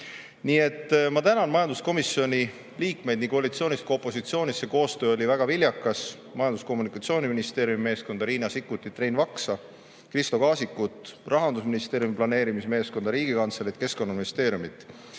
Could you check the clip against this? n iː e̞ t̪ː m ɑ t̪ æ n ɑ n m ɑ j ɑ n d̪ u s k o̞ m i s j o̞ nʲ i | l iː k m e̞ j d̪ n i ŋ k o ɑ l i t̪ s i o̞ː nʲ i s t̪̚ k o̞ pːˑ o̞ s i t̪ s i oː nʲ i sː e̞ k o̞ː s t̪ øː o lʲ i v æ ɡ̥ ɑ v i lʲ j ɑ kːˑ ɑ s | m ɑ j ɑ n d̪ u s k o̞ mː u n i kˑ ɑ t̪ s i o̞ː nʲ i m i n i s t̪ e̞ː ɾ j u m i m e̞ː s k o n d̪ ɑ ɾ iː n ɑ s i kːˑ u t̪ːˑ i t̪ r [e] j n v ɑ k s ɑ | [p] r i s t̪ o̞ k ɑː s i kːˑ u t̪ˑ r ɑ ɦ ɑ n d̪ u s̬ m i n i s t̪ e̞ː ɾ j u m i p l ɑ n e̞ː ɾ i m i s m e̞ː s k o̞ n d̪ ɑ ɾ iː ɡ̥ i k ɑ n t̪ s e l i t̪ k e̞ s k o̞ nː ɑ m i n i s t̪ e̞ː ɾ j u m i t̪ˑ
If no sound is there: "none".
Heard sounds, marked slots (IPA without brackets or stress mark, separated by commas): e, k